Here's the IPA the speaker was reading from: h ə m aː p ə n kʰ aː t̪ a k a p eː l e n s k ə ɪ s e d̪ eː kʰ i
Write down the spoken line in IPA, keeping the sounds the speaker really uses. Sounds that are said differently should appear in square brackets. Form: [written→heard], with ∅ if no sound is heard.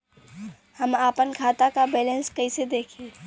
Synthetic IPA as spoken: h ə m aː p ə n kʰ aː t̪ a k a [p→b] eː l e n s k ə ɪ s e d̪ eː kʰ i